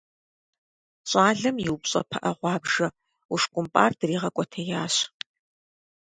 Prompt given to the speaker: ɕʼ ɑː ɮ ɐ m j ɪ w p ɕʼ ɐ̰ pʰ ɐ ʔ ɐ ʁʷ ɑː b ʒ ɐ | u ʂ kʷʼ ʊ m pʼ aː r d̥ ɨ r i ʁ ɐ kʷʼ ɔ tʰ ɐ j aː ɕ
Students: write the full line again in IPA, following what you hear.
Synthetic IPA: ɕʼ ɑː ɮ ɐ m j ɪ w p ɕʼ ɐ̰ pʰ ɐ ʔ ɐ ʁʷ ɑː b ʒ ɐ | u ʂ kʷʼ ʊ m pʼ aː r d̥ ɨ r iː ʁ ɐ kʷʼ ɔ tʰ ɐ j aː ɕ